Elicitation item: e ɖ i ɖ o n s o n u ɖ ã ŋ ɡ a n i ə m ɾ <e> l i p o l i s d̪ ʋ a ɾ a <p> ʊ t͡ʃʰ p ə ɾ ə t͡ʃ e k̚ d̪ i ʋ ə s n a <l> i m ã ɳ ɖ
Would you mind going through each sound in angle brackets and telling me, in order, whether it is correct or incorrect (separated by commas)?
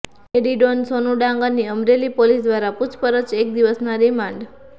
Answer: correct, correct, incorrect